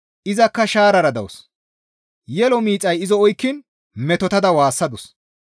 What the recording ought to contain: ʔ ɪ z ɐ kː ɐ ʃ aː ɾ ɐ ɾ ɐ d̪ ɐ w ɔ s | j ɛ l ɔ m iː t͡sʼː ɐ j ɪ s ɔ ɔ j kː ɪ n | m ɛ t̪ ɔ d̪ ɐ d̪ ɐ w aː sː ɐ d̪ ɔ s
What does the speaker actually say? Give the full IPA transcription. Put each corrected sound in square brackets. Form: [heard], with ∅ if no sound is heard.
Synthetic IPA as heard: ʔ ɪ z ɐ kː ɐ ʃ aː ɾ ɐ ɾ ɐ d̪ ɐ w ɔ s | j ɛ l ɔ m iː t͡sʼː ɐ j ɪ [z] ɔ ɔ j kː ɪ n | m ɛ t̪ ɔ [t̪] ɐ d̪ ɐ w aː sː ɐ d̪ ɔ s